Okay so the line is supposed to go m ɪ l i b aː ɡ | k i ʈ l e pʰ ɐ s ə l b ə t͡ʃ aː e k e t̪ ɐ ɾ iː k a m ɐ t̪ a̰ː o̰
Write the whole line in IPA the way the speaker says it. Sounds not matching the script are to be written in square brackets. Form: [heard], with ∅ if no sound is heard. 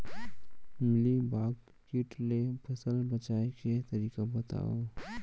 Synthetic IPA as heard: m ɪ l i b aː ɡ | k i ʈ l e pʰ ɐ s ə l b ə t͡ʃ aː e k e t̪ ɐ ɾ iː k a [b] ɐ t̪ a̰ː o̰